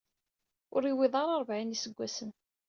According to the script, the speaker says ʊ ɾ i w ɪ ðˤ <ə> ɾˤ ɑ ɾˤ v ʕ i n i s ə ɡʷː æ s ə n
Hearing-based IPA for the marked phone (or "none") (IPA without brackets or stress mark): ɑ